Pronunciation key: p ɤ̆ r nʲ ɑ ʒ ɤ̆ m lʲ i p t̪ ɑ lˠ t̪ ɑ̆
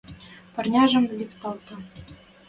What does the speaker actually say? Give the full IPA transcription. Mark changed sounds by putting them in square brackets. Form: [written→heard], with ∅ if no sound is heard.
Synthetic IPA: p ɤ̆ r nʲ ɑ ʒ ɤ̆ m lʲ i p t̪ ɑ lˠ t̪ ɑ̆